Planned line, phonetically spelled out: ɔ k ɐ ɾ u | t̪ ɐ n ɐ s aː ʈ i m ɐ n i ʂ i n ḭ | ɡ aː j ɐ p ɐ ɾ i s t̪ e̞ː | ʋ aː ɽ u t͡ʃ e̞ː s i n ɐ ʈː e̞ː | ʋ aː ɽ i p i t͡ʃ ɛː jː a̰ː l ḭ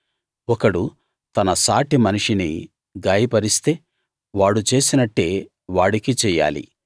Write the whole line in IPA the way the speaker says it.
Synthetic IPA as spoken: ɔ k ɐ ɽ u | t̪ ɐ n ɐ s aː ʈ i m ɐ n i ʂ i n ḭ | ɡ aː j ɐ p ɐ ɾ i s t̪ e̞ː | ʋ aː ɽ u t͡ʃ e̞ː s i n ɐ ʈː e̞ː | ʋ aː ɽ i k i t͡ʃ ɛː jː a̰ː l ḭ

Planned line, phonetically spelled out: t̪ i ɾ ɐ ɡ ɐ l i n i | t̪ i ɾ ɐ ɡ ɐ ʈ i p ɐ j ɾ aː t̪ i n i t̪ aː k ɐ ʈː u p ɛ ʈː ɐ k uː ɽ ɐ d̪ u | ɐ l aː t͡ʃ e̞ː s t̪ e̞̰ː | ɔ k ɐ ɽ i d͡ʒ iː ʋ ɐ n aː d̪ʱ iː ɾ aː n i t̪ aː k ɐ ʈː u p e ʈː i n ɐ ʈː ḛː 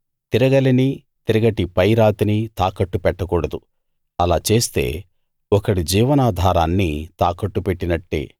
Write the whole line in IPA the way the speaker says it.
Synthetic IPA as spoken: t̪ i ɾ ɐ ɡ ɐ l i n i | t̪ i ɾ ɐ ɡ ɐ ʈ i p ɐ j ɾ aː t̪ i n i t̪ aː k ɐ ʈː u p ɛ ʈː ɐ k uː ɽ ɐ d̪ u | ɐ l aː t͡ʃ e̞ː s t̪ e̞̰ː | ɔ k ɐ ɽ i d͡ʒ iː ʋ ɐ n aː d̪ʱ aː ɾ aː nː i t̪ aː k ɐ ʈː u p e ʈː i n ɐ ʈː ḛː

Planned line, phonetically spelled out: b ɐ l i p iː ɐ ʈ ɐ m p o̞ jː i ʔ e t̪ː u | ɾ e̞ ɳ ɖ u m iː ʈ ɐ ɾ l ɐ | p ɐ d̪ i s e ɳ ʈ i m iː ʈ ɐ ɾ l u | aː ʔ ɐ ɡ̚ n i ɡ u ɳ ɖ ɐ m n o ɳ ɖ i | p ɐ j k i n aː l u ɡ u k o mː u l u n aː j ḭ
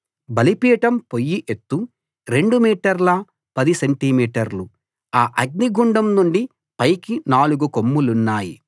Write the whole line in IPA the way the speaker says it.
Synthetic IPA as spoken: b ɐ l i p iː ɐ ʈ ɐ m p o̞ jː i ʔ e t̪ː u | ɾ e̞ ɳ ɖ u m iː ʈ ɐ ɾ l ɐ | p ɐ d̪ i s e ɳ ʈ i m iː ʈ ɐ ɾ l u | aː ʔ ɐ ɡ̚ n i ɡ u ɳ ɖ ɐ m n u ɳ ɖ i | p ɐ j k i n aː l u ɡ u k o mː u l u nː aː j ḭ

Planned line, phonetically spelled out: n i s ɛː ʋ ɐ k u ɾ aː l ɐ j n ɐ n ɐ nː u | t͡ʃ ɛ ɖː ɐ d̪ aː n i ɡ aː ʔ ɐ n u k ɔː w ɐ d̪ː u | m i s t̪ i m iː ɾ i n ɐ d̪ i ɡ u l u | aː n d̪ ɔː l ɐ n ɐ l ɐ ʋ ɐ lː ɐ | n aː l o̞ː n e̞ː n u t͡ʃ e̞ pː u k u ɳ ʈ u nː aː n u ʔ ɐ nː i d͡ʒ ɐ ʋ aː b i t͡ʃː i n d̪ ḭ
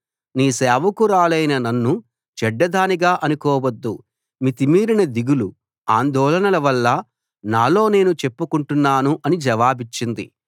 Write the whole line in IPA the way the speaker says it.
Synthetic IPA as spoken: n iː s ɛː ʋ ɐ k u ɾ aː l ɐ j n ɐ n ɐ nː u | t͡ʃ ɛ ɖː ɐ d̪ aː n i ɡ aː ʔ ɐ n u k ɔː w ɐ d̪ː u | m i t̪ i m iː ɾ i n ɐ d̪ i ɡ u l u | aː n d̪ ɔː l ɐ n ɐ l ɐ ʋ ɐ lː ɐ | n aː l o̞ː n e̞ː n u t͡ʃ e̞ pː u k u ɳ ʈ u nː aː n u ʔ ɐ n i d͡ʒ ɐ ʋ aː b i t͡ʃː i n d̪ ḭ

